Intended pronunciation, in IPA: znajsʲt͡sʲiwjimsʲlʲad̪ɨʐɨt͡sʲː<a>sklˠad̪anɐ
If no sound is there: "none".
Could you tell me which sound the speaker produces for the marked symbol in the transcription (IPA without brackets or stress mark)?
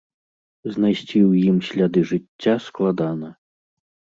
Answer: a